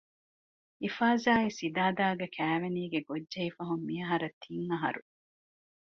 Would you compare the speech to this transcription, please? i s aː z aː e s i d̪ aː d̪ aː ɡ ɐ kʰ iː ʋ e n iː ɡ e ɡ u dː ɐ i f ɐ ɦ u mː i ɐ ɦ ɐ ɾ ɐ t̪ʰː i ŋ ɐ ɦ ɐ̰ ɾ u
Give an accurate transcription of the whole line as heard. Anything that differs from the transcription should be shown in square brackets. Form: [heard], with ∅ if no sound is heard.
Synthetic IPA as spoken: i [f] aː z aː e s i d̪ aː d̪ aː ɡ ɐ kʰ [æː] ʋ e n iː ɡ e ɡ [o] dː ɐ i f ɐ ɦ u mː i ɐ ɦ ɐ ɾ ɐ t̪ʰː i ŋ ɐ ɦ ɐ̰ ɾ u